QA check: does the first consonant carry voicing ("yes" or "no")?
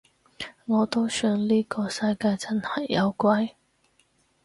yes